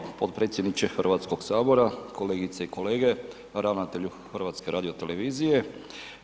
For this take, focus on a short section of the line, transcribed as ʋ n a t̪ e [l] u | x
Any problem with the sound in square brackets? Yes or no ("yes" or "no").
yes